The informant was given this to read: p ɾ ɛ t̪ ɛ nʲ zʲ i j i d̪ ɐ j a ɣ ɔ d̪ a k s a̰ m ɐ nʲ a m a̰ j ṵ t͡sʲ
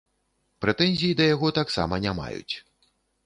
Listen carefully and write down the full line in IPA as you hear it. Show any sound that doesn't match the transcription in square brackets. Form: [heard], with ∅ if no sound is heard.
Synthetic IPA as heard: p ɾ ɛ t̪ ɛ nʲ zʲ i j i d̪ ɐ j a ɣ ɔ [t̪] a k s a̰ m ɐ nʲ a m a̰ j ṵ t͡sʲ